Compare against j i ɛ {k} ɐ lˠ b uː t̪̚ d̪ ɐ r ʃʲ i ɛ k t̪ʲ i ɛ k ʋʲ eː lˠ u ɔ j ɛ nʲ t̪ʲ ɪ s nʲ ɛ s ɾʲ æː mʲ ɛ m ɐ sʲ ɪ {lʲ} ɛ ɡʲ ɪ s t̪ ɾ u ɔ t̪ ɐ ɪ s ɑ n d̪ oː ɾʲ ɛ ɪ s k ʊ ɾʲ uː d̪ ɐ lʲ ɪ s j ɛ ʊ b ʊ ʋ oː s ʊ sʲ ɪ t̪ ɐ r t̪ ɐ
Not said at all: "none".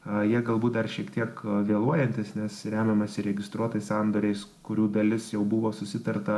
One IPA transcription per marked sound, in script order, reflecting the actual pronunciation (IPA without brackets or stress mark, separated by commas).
ɡ, ɾʲ